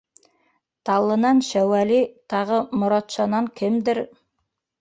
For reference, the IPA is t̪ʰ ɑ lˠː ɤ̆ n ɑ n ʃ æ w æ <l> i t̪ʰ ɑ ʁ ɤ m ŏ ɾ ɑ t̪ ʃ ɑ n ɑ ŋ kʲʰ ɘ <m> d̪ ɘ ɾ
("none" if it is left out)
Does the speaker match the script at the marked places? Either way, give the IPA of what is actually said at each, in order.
l, m

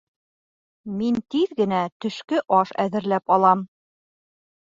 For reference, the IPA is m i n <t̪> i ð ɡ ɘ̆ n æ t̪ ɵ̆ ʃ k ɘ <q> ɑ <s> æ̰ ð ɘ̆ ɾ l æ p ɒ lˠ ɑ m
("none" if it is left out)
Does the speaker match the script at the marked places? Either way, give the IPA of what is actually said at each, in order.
t̪, ʔ, ʃ

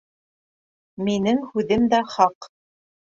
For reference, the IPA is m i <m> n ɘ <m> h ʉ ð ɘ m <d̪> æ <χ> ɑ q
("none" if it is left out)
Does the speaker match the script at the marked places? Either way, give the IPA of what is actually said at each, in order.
none, ŋ, d̪, χ

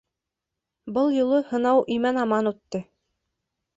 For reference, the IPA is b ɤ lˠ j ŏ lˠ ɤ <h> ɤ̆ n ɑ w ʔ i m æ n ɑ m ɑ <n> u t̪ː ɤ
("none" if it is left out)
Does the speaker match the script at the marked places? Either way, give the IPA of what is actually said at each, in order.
h, n

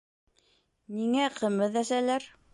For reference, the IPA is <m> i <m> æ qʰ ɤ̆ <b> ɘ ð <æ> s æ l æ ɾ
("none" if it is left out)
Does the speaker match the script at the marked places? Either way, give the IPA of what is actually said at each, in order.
n, ŋ, m, æ

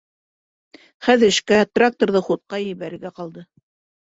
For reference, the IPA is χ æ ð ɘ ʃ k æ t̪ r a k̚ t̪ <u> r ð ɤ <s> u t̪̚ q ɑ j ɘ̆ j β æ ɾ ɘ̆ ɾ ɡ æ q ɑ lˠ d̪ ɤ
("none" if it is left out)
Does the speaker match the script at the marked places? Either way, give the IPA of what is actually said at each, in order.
o, χ

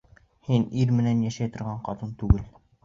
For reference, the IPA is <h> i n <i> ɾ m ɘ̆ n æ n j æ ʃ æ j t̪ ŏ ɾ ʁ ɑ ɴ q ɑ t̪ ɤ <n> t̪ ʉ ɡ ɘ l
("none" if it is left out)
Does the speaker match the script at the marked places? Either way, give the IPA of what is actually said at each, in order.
h, i, n

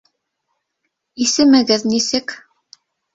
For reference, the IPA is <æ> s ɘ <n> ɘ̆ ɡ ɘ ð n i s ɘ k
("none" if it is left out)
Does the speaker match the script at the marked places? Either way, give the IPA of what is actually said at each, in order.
i, m

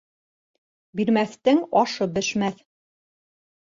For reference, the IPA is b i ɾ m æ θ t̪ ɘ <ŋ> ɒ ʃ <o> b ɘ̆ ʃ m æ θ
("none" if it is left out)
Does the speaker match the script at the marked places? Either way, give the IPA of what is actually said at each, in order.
ŋ, ɤ

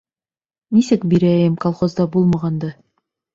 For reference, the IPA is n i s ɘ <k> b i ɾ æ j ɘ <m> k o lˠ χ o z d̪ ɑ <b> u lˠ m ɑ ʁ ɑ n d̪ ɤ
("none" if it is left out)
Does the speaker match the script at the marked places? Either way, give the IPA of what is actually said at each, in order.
k, m, b

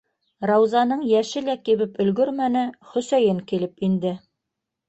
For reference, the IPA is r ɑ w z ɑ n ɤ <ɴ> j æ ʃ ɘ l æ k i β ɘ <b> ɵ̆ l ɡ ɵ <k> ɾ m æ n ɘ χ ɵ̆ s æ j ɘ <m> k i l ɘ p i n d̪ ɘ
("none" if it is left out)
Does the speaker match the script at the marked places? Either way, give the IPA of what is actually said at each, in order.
ɴ, p, none, ŋ

